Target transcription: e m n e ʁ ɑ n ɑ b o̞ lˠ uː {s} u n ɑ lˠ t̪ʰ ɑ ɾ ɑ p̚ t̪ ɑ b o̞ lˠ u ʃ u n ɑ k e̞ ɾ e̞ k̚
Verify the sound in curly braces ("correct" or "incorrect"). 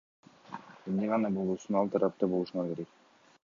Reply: correct